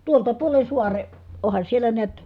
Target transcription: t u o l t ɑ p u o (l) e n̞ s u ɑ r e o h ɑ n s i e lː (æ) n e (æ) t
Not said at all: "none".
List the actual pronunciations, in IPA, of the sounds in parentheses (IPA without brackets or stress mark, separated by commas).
l, æ, æ